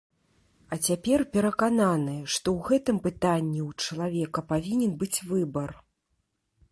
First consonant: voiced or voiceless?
voiceless